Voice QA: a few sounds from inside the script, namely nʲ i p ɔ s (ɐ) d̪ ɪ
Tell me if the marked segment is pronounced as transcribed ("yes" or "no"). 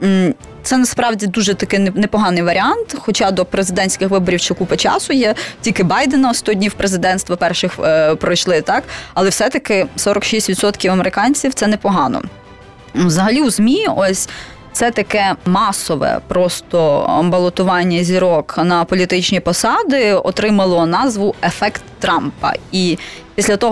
no